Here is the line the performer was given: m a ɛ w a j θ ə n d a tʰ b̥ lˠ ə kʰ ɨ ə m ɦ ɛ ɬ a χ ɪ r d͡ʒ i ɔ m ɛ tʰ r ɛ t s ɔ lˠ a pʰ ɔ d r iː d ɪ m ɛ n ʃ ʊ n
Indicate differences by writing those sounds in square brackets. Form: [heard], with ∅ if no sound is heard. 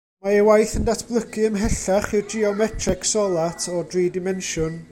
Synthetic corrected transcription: m a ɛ w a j θ ə n d a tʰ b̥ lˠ ə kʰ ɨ ə m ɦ ɛ ɬ a χ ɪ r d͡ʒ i ɔ m ɛ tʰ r ɛ [k] s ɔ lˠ a [tʰ] ɔ d r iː d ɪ m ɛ n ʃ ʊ n